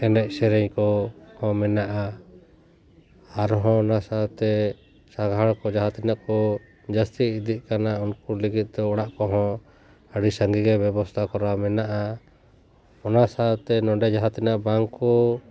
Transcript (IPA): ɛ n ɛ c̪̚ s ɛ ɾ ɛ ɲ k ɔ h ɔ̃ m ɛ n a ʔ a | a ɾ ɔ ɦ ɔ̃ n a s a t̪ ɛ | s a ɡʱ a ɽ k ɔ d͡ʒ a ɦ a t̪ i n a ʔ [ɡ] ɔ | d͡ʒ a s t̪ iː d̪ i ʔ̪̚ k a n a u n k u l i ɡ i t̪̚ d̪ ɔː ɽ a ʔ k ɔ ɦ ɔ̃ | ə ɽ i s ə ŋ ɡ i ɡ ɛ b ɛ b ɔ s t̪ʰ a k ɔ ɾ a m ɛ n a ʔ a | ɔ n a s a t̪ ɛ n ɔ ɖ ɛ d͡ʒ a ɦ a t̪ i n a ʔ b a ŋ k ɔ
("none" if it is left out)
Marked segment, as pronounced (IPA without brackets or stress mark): k